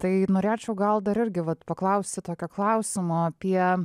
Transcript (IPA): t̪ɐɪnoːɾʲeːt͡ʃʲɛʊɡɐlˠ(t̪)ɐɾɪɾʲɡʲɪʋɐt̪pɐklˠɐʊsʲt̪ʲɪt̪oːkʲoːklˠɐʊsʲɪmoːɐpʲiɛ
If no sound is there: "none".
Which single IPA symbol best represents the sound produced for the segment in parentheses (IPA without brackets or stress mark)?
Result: d̪